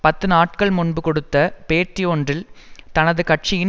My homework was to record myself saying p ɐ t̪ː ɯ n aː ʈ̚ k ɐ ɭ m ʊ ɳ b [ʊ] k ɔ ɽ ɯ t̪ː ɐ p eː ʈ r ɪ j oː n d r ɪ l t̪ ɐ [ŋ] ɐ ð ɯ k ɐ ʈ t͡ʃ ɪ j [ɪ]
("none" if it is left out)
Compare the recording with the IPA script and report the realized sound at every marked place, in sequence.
ɯ, n, ɪ

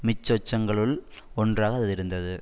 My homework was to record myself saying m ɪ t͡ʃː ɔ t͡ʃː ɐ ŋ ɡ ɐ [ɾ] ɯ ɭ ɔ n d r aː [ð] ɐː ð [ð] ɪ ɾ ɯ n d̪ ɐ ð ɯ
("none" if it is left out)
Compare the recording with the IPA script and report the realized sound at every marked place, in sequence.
ɭ, ɣ, ð

